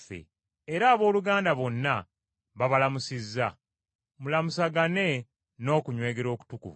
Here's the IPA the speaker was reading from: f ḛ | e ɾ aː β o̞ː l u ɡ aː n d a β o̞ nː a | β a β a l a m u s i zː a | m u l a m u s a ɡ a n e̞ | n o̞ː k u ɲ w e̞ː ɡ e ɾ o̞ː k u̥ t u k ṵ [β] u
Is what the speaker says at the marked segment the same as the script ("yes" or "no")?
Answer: no